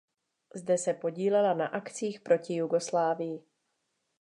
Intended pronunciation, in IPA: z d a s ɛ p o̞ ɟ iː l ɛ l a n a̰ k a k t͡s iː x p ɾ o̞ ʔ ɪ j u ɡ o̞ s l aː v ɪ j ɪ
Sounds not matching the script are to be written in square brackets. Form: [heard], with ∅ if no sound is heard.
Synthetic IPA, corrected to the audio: z d [ɛ] s ɛ p o̞ ɟ iː l ɛ l a n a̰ [ʔ] a k t͡s iː x p ɾ o̞ [c] ɪ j u ɡ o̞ s l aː v ɪ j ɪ